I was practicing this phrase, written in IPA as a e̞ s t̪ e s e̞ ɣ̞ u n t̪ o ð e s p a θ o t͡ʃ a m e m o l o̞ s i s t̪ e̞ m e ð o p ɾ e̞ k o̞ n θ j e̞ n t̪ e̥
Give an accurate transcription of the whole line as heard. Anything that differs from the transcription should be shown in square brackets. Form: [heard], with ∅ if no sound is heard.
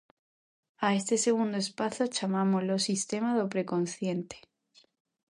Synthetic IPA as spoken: a e̞ s t̪ e s e̞ ɣ̞ u n [d̪] o [∅] e s p a θ o t͡ʃ a m [a] m o l o̞ s i s t̪ e̞ m [a] ð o p ɾ e̞ k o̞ n θ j e̞ n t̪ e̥